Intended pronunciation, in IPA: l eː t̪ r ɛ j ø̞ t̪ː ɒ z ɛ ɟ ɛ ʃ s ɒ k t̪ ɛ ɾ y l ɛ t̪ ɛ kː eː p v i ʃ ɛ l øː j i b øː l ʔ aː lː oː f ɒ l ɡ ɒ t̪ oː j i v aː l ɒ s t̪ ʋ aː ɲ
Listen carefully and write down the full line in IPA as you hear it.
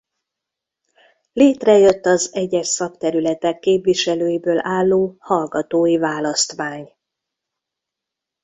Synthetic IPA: l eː t̪ r ɛ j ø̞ t̪ː ɒ z ɛ ɟ ɛ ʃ s ɒ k t̪ ɛ ɾ y l ɛ t̪ ɛ kː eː p v i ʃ ɛ l øː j i b øː l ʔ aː lː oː h ɒ l ɡ ɒ t̪ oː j i v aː l ɒ s t̪ ʋ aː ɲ